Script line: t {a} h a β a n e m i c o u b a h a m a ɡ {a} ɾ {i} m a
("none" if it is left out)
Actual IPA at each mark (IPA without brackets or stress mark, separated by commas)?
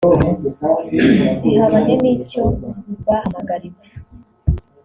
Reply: i, a, i